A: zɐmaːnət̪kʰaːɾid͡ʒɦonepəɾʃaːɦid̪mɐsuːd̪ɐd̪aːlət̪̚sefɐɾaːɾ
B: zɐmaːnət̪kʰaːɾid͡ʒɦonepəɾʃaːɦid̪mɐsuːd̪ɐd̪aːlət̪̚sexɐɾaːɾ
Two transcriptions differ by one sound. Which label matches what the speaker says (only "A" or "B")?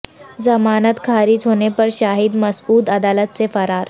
A